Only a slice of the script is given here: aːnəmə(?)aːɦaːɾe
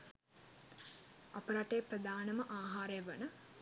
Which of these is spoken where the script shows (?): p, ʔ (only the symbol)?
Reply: ʔ